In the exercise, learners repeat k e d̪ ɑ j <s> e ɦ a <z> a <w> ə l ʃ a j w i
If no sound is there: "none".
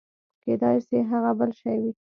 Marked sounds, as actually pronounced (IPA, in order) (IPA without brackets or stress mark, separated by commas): s, ɣ, b